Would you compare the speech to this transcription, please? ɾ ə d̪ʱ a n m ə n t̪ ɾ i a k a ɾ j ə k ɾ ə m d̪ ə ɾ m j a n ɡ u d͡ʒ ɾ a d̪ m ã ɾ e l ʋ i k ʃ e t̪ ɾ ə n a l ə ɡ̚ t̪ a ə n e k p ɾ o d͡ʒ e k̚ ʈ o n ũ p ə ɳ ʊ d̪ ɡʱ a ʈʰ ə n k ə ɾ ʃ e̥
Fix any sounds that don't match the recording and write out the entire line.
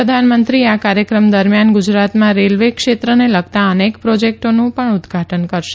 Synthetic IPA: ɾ ə d̪ʱ a n m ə n t̪ ɾ i a k a ɾ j ə k ɾ ə m d̪ ə ɾ m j a n ɡ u d͡ʒ ɾ a t̪ m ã ɾ e l ʋ e k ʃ e t̪ ɾ ə n e l ə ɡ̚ t̪ a ə n e k p ɾ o d͡ʒ e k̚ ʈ o n ũ p ə ɳ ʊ d̪ ɡʱ a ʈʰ ə n k ə ɾ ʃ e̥